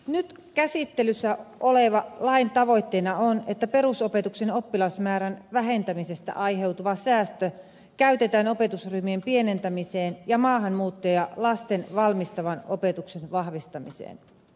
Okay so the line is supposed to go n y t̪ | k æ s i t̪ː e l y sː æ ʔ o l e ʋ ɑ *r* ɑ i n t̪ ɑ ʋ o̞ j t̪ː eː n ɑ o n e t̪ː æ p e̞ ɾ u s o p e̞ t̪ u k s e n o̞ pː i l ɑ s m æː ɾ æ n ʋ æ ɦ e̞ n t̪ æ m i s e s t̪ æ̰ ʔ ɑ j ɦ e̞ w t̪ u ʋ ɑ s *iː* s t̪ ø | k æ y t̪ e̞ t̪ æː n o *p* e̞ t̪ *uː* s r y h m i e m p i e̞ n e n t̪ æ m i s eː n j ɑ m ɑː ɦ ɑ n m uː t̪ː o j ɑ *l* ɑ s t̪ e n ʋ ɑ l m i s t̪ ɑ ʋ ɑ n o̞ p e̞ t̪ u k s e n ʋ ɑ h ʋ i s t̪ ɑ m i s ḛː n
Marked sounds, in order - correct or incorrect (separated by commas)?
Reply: incorrect, incorrect, correct, incorrect, correct